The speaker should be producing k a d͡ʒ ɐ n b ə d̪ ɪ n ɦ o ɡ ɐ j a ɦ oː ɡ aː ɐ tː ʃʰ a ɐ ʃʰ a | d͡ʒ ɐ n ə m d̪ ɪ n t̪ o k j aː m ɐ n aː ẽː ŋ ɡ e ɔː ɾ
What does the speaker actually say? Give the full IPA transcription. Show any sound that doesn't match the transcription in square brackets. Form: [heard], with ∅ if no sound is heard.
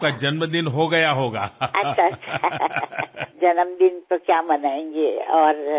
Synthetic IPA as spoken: k a d͡ʒ ɐ n [m] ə d̪ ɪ n ɦ o ɡ ɐ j a ɦ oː ɡ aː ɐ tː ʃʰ a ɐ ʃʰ a | d͡ʒ ɐ n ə m d̪ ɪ n t̪ o k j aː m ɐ n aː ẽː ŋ ɡ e ɔː ɾ